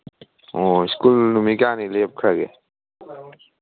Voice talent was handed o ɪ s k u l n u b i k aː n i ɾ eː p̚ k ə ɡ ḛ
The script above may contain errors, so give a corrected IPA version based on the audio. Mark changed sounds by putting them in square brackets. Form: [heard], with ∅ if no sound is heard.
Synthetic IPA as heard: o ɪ s k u l n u [m] i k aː n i [l] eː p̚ [kʰ] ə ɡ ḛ